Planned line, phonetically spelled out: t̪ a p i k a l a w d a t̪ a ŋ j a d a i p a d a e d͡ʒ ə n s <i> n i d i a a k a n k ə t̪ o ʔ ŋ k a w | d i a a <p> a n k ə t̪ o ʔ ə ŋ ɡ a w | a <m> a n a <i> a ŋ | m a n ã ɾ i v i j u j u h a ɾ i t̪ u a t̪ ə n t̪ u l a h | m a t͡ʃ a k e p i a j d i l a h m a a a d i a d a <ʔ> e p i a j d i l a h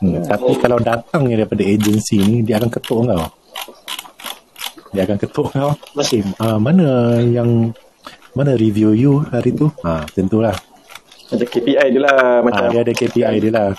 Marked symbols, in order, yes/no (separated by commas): yes, no, yes, no, no